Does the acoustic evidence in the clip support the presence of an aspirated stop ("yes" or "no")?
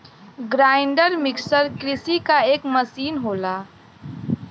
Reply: no